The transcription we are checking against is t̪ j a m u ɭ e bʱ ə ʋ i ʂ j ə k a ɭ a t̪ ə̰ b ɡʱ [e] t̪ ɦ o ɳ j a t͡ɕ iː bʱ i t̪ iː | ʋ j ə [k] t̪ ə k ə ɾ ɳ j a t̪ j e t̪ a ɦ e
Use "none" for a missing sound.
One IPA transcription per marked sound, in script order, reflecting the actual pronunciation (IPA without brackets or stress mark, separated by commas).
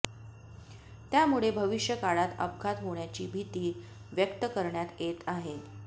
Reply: a, k